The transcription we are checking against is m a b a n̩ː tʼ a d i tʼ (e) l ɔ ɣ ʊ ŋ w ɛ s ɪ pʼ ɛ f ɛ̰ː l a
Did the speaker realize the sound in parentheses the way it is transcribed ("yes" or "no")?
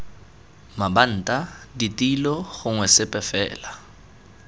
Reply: no